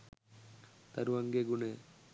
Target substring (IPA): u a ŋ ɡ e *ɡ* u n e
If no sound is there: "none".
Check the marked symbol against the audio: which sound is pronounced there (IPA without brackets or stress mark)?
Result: ɡ